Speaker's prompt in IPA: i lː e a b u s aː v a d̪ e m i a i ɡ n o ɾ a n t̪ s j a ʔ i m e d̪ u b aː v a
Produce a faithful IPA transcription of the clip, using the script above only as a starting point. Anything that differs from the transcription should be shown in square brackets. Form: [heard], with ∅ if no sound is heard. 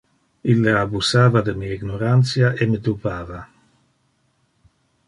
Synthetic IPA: i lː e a b u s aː v a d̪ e m i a i ɡ n o ɾ a n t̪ s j a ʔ [e] m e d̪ u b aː v a